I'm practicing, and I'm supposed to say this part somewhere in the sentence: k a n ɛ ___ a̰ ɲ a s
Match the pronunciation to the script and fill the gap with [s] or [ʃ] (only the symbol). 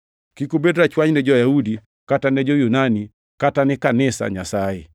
s